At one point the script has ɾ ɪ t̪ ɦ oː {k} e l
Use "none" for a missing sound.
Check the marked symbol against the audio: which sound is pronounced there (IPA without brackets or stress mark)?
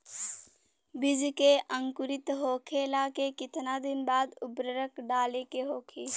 kʰ